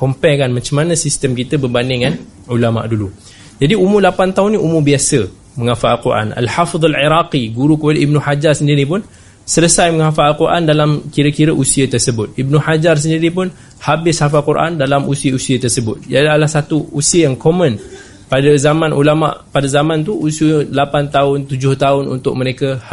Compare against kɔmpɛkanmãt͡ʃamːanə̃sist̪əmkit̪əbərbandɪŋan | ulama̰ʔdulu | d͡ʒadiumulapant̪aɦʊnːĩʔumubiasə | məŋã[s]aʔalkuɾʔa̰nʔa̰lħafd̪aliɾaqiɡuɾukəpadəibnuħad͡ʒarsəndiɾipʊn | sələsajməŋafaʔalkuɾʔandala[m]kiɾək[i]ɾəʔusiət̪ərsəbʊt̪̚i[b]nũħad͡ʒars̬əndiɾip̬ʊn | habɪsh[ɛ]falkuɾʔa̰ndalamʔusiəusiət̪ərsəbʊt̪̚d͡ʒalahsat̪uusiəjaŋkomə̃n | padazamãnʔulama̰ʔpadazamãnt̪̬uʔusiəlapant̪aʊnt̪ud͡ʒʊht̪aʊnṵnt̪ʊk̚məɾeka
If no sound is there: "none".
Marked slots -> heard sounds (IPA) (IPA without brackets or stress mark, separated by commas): f, m, i, b, a